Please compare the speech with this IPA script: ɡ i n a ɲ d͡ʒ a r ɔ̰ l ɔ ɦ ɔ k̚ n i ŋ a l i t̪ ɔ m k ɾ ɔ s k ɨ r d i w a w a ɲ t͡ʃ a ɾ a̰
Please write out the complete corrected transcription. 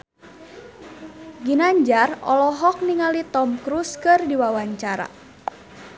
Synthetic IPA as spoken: ɡ i n a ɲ d͡ʒ a r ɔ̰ l ɔ ɦ ɔ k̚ n i ŋ a l i t̪ ɔ m k ɾ u s k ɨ r d i w a w a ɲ t͡ʃ a ɾ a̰

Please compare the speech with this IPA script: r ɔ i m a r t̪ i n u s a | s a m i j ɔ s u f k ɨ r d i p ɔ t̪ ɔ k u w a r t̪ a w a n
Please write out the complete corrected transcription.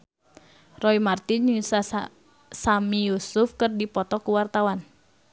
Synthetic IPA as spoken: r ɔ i m a r t̪ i n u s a | s a m i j u s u f k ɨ r d i p ɔ t̪ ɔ k u w a r t̪ a w a n

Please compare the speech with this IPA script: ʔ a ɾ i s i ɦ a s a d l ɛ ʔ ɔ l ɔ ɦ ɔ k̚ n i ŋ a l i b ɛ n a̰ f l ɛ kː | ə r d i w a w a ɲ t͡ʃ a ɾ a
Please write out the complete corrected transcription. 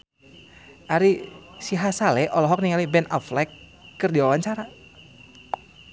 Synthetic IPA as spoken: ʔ a ɾ i s i ɦ a s a l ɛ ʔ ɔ l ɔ ɦ ɔ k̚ n i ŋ a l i b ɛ n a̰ f l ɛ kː | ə r d i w a w a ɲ t͡ʃ a ɾ a

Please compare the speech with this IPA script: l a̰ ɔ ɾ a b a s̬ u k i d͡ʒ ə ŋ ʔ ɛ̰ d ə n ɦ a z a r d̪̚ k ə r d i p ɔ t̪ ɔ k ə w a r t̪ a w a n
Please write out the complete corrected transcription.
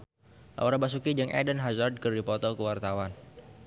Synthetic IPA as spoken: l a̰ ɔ ɾ a b a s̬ u k i d͡ʒ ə ŋ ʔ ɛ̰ d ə n ɦ a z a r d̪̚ k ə r d i p ɔ t̪ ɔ k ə w a r t̪ a w a n

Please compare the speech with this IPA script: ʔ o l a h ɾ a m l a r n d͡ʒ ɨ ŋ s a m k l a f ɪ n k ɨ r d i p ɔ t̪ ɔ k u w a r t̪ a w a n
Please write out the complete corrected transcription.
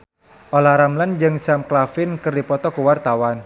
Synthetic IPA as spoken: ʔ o l a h ɾ a m l a n d͡ʒ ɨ ŋ s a m k l a f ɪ n k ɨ r d i p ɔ t̪ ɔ k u w a r t̪ a w a n

